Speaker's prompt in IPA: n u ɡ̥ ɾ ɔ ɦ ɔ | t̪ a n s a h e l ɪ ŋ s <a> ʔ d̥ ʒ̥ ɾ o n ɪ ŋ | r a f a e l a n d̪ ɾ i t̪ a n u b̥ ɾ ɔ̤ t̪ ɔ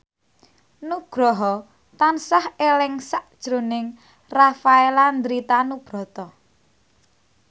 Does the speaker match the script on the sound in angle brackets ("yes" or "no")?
yes